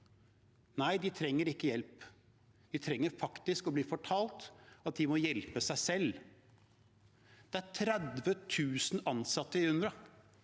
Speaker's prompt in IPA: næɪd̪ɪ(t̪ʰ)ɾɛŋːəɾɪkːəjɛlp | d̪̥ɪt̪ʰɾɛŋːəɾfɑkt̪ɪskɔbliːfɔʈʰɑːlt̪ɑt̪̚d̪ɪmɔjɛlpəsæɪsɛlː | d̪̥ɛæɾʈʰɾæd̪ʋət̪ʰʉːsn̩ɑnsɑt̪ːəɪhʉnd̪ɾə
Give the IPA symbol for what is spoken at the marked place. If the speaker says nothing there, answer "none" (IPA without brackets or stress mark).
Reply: t̪ʰ